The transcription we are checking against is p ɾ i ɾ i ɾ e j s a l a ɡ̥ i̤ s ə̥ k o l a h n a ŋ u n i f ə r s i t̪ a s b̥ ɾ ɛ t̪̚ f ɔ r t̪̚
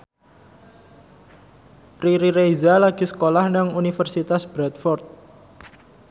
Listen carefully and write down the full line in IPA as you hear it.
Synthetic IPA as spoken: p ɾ i ɾ i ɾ e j z a l a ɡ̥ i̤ s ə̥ k o l a h n a ŋ u n i f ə r s i t̪ a s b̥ ɾ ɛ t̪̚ f ɔ r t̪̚